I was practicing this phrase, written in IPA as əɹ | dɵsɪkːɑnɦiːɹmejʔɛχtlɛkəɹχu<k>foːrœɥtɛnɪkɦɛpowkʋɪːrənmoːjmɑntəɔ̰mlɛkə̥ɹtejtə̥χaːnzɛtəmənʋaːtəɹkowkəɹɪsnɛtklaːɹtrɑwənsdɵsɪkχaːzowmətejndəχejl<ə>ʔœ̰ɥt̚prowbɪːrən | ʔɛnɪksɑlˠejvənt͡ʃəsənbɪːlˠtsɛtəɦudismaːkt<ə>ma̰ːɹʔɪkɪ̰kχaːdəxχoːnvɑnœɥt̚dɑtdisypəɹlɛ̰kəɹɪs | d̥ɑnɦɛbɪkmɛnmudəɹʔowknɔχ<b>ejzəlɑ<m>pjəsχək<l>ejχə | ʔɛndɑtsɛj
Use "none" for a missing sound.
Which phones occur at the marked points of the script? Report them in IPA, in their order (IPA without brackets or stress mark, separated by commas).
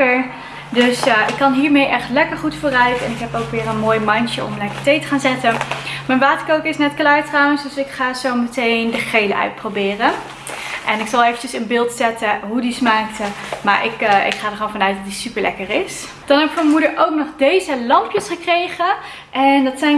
t, ə, ə, d, m, r